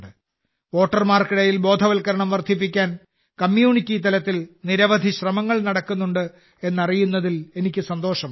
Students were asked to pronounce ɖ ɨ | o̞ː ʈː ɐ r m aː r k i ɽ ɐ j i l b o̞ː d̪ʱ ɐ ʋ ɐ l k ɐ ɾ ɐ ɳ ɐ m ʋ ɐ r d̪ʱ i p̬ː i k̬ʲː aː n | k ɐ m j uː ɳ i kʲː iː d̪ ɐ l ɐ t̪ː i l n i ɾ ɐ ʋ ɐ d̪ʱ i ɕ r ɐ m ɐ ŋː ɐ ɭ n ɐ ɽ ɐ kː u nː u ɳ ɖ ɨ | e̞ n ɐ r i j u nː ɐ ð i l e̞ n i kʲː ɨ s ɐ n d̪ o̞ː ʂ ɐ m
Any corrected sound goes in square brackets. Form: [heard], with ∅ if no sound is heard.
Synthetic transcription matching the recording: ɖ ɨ | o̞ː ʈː ɐ r m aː r k i ɽ ɐ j i l b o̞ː d̪ʱ ɐ ʋ ɐ l k ɐ ɾ ɐ ɳ ɐ m ʋ ɐ r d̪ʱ i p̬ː i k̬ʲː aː n | k ɐ m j uː ɳ i kʲː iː [t̪] ɐ l ɐ t̪ː i l n i ɾ ɐ ʋ ɐ d̪ʱ i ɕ r ɐ m ɐ ŋː ɐ ɭ n ɐ ɽ ɐ kː u nː u ɳ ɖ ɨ | e̞ [nː] ɐ r i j u nː ɐ ð i l e̞ n i kʲː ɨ s ɐ n d̪ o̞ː ʂ ɐ m